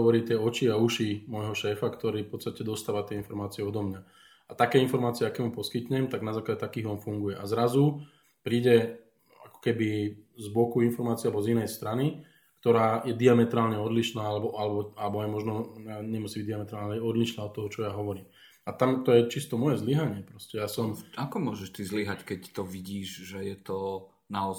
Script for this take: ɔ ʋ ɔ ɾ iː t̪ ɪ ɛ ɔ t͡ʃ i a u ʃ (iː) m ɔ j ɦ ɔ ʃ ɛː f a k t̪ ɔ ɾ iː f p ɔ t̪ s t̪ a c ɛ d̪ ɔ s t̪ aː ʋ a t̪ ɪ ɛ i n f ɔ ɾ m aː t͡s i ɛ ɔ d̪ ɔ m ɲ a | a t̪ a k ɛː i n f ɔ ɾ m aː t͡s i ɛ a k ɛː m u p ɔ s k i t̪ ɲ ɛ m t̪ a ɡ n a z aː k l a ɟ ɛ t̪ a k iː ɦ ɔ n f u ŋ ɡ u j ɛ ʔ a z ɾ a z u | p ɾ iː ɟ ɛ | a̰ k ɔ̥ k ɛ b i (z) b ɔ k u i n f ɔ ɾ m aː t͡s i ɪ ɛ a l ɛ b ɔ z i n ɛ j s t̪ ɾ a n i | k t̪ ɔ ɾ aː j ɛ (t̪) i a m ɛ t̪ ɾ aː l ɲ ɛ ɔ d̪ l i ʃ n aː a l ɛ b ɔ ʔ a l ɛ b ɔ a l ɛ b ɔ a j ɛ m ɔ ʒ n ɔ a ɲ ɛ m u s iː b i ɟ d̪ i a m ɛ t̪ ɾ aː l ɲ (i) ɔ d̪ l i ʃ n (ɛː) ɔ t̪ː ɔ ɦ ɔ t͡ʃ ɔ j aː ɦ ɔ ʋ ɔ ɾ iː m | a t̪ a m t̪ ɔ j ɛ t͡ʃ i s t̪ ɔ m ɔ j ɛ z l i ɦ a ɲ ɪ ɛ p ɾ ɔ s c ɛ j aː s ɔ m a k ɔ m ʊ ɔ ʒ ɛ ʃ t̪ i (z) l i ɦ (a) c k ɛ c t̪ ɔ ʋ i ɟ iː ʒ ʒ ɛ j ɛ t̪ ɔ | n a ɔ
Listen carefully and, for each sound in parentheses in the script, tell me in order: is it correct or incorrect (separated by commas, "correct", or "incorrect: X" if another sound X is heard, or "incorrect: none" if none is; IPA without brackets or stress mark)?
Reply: incorrect: i, correct, incorrect: d̪, incorrect: ɛ, incorrect: aː, correct, correct